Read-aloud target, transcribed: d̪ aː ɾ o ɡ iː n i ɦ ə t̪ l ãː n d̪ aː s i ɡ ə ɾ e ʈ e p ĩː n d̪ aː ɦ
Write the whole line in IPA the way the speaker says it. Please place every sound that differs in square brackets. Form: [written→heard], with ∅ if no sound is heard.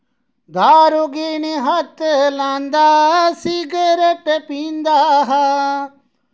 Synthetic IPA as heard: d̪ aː ɾ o ɡ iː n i ɦ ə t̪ l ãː n d̪ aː s i ɡ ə ɾ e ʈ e p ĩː n d̪ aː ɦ